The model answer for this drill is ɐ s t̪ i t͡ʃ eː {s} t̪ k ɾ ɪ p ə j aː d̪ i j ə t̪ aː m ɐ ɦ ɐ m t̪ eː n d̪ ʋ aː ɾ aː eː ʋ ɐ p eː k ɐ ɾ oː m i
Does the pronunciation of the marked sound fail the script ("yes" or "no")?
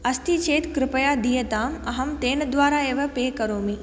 yes